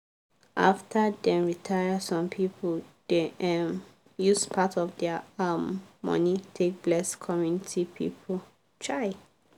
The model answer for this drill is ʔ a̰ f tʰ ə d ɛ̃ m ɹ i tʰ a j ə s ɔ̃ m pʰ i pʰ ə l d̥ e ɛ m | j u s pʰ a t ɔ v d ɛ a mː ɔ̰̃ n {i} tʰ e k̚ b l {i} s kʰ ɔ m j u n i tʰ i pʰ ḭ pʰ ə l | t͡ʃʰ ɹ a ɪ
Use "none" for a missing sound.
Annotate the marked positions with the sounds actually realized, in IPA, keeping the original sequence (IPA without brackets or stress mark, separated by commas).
i, ɛ